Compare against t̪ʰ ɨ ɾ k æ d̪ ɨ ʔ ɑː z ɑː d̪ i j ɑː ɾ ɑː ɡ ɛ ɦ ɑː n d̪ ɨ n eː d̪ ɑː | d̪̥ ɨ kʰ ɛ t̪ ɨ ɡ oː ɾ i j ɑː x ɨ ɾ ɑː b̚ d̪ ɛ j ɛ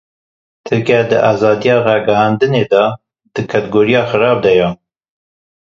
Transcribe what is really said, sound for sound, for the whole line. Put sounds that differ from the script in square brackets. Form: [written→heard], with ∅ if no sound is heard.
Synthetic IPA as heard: t̪ʰ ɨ ɾ k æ d̪ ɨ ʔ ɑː z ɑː d̪ i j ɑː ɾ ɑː ɡ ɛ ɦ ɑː n d̪ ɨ n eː d̪ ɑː | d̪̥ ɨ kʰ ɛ t̪ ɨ ɡ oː ɾ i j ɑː x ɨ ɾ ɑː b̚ d̪ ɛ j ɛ